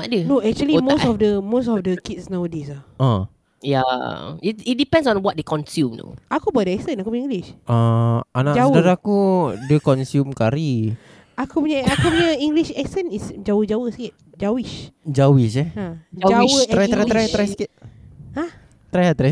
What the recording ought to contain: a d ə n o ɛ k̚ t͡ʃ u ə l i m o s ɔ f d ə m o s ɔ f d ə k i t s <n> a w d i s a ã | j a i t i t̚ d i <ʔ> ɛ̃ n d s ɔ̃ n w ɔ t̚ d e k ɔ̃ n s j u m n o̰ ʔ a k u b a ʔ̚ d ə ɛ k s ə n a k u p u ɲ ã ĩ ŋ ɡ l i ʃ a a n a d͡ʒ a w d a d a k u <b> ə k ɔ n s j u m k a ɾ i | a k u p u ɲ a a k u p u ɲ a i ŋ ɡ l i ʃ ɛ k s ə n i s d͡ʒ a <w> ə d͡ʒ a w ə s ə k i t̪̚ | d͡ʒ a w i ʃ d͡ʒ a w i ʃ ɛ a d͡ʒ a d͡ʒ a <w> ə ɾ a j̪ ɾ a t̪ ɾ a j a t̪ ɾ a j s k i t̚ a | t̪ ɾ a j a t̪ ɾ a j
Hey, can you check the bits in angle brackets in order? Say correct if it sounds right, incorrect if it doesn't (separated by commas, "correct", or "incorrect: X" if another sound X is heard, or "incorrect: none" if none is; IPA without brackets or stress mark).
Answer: correct, incorrect: p, incorrect: d, correct, correct